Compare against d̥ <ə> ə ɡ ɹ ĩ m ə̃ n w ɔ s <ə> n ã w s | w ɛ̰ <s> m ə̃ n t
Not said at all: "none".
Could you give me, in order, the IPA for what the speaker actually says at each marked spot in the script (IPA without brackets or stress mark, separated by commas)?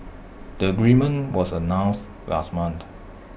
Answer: ə, ə, s